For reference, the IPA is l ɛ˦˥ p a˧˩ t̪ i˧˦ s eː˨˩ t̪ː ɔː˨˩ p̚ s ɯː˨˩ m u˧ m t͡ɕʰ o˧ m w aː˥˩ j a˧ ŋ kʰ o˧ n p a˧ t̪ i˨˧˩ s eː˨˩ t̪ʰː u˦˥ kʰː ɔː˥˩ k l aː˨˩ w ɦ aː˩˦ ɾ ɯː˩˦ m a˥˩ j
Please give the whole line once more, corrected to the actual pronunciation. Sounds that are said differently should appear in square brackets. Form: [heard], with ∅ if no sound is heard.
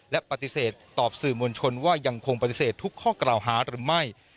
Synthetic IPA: l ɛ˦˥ p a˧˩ t̪ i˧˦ s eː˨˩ t̪ː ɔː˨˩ p̚ s ɯː˨˩ m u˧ [n] t͡ɕʰ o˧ [n] w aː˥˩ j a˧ ŋ kʰ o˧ [ŋ] p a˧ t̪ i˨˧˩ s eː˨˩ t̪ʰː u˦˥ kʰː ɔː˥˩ k l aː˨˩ w ɦ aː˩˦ ɾ ɯː˩˦ m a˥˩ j